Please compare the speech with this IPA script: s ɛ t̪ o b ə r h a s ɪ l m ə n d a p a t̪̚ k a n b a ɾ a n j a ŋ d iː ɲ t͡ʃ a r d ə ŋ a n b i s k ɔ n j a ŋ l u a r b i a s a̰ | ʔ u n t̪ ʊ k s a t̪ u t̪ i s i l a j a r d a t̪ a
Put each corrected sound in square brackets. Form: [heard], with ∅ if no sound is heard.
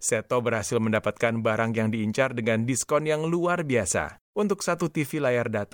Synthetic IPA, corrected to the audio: s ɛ t̪ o b ə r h a s ɪ l m ə n d a p a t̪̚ k a n b a ɾ a [ŋ] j a ŋ d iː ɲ t͡ʃ a r d ə ŋ a n [d] i s k ɔ n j a ŋ l u a r b i a s a̰ | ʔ u n t̪ ʊ k s a t̪ u t̪ i [f] i l a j a r d a t̪ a